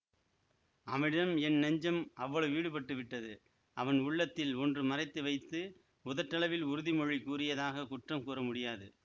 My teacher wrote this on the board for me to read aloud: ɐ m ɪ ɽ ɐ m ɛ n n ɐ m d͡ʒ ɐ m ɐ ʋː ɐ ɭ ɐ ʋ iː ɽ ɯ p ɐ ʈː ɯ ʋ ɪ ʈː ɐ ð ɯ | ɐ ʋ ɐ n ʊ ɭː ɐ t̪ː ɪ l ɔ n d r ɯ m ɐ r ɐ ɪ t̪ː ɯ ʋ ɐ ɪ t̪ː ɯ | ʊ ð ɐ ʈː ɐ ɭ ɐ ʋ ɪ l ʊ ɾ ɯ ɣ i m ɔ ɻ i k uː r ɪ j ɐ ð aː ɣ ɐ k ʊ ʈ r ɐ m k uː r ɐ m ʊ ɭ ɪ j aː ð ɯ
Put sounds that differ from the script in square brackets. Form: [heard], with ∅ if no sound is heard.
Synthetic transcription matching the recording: ɐ m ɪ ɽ ɐ m ɛ n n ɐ [ɲ] d͡ʒ ɐ m ɐ ʋː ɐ ɭ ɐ ʋ iː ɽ ɯ p ɐ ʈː ɯ ʋ ɪ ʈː ɐ ð ɯ | ɐ ʋ ɐ n ʊ ɭː ɐ t̪ː ɪ l ɔ n d r ɯ m ɐ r ɐ ɪ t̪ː ɯ ʋ ɐ ɪ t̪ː ɯ | ʊ ð ɐ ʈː ɐ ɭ ɐ ʋ ɪ l ʊ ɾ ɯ [ð] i m ɔ ɻ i k uː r ɪ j ɐ ð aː ɣ ɐ k ʊ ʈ r ɐ m k uː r ɐ m ʊ [ɽ] ɪ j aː ð ɯ